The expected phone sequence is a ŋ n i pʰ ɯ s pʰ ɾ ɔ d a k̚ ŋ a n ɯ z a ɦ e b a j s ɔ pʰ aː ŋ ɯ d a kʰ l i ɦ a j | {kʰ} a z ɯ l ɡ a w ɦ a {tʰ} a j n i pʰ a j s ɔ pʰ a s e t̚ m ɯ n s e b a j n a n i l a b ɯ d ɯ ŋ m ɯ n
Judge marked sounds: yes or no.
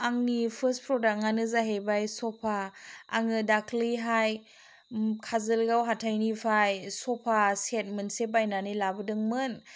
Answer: yes, yes

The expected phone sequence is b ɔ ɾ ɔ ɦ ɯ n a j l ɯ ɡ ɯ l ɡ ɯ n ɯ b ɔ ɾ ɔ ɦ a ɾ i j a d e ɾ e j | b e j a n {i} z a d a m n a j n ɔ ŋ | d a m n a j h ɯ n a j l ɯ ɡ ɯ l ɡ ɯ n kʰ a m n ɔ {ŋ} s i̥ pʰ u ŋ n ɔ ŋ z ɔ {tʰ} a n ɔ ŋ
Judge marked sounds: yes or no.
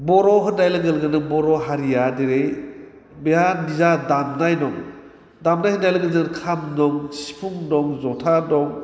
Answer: yes, yes, yes

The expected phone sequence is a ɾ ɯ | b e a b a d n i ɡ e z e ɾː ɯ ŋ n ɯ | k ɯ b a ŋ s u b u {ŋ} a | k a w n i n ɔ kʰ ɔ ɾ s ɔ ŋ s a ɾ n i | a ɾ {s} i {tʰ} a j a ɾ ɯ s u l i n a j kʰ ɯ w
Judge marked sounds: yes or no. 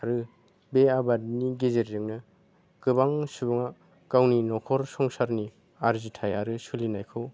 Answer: yes, no, yes

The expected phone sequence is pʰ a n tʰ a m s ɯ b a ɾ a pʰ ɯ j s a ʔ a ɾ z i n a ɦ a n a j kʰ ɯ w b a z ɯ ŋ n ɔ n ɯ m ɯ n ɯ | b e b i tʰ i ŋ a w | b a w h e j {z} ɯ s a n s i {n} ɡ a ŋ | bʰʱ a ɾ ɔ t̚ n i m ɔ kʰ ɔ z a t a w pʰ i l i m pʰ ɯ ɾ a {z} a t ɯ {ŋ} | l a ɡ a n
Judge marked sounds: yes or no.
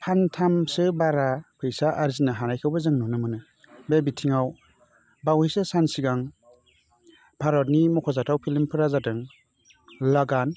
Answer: no, no, yes, yes

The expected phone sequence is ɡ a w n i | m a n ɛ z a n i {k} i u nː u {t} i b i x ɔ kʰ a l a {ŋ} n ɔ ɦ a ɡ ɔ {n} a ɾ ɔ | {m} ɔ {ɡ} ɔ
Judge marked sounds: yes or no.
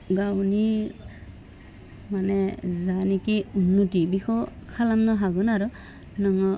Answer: yes, yes, no, yes, no, no

